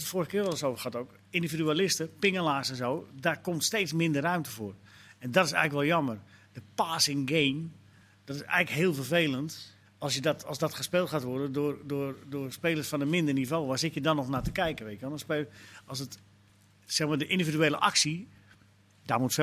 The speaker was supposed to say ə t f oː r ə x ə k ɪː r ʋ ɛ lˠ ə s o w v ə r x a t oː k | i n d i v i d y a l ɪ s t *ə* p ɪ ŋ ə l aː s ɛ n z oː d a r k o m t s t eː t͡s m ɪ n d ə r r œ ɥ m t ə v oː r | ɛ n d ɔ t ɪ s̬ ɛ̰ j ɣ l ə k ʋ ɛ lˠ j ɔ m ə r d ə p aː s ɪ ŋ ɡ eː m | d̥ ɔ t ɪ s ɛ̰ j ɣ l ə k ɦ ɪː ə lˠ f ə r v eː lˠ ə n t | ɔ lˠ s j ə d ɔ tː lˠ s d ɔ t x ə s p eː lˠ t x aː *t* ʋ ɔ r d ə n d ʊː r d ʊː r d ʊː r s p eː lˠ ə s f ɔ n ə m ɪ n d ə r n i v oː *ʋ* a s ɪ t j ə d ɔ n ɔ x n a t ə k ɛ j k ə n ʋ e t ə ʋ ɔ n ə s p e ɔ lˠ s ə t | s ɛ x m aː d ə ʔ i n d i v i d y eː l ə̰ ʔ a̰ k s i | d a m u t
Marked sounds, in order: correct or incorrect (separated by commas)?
correct, correct, correct